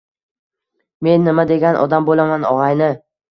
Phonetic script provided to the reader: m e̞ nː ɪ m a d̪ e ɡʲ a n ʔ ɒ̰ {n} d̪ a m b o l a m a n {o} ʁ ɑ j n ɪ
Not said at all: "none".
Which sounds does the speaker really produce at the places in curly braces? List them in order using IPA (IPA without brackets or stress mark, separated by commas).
none, ɒ